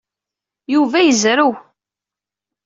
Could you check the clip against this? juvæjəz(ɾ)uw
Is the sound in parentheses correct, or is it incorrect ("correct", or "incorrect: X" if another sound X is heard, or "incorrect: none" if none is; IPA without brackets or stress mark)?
correct